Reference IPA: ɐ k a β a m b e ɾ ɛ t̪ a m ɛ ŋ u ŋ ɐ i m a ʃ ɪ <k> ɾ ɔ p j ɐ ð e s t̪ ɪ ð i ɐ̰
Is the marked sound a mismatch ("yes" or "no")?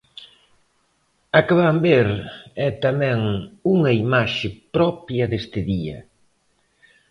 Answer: yes